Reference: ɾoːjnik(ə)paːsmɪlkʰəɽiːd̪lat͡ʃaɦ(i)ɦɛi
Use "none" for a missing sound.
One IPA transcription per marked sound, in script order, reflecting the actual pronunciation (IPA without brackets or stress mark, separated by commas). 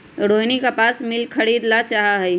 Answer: a, a